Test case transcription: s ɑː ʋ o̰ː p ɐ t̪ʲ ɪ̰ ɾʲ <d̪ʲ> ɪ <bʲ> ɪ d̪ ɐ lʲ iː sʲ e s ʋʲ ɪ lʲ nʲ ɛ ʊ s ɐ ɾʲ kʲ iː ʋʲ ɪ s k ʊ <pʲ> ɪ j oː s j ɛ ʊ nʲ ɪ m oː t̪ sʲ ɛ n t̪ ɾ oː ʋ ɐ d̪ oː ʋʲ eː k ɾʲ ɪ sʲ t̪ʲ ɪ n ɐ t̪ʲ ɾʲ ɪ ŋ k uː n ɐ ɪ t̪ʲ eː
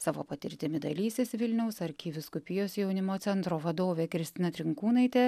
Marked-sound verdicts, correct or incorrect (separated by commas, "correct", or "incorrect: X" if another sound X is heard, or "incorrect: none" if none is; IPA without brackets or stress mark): incorrect: t̪ʲ, incorrect: mʲ, correct